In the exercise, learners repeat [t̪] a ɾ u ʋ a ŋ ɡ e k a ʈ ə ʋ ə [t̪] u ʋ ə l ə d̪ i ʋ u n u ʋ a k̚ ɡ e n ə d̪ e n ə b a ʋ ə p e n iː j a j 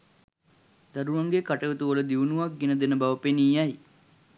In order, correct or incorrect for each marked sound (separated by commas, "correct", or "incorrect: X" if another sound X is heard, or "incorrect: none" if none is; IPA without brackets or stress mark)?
incorrect: d̪, correct